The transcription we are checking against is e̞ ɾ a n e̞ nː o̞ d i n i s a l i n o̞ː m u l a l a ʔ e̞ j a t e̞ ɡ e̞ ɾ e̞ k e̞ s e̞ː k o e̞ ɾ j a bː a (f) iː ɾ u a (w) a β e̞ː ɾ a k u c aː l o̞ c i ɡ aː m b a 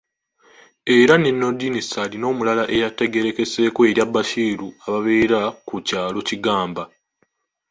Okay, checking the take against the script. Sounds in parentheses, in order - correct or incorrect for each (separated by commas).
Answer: incorrect, incorrect